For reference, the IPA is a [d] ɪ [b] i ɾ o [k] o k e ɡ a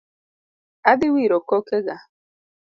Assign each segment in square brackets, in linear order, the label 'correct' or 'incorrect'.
correct, incorrect, correct

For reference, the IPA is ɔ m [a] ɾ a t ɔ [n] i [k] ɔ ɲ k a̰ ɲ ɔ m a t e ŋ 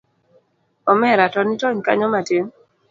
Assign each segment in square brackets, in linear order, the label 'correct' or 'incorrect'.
incorrect, correct, incorrect

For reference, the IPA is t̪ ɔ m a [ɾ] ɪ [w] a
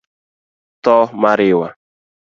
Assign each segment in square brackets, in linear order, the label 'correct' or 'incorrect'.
correct, correct

